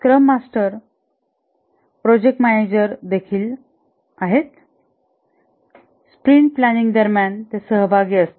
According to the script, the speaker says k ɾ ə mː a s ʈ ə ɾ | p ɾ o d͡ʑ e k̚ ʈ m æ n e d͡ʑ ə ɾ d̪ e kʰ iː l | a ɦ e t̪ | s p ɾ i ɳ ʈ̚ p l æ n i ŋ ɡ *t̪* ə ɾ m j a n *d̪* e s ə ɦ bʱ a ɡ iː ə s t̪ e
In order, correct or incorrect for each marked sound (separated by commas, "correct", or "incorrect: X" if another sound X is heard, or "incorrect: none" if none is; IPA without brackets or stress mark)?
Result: incorrect: d̪, incorrect: t̪